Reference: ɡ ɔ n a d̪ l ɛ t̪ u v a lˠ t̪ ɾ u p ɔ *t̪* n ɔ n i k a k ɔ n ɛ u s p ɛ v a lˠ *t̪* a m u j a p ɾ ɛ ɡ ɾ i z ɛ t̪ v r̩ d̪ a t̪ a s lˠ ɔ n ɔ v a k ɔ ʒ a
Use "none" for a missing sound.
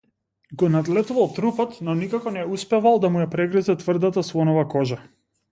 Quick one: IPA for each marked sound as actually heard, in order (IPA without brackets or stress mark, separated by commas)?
t̪, d̪